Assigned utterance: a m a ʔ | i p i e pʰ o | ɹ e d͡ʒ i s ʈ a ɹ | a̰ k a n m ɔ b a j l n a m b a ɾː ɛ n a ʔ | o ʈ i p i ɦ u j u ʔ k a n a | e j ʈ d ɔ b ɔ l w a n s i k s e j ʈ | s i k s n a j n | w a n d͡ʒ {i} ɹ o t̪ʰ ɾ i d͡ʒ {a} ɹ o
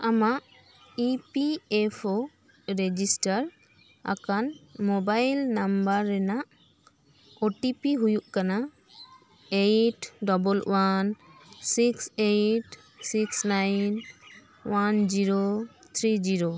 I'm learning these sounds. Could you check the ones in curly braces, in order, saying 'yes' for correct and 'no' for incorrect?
yes, no

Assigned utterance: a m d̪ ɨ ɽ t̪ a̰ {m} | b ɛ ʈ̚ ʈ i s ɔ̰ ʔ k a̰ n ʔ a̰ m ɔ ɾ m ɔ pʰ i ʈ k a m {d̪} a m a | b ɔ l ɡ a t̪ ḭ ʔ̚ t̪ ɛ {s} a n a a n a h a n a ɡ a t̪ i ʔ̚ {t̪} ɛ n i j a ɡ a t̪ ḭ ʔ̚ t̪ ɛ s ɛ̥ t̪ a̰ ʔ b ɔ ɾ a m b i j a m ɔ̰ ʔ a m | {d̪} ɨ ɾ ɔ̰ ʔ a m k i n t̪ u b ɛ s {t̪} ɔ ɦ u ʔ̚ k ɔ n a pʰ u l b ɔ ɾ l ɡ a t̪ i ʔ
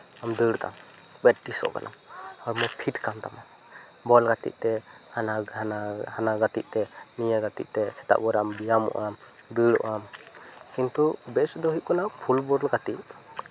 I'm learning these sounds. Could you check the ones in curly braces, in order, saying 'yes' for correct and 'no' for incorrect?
yes, no, no, yes, yes, no

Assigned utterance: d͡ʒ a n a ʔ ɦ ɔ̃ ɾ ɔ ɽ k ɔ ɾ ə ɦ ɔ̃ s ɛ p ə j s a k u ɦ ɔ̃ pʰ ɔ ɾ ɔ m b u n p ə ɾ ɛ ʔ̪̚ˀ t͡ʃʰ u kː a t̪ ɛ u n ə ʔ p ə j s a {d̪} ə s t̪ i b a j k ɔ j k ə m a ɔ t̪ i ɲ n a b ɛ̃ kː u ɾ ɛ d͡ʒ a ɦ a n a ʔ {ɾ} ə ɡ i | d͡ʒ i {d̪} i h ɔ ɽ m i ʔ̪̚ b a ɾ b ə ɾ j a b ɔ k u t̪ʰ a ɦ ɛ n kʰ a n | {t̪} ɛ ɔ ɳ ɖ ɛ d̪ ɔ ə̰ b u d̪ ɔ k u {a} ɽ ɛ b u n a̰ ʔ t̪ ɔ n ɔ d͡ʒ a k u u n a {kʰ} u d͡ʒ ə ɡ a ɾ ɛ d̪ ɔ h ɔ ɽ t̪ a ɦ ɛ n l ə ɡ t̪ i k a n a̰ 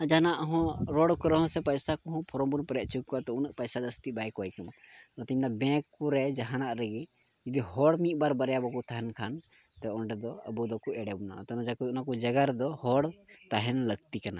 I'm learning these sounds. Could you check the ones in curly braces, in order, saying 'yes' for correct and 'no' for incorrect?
yes, yes, yes, yes, no, no

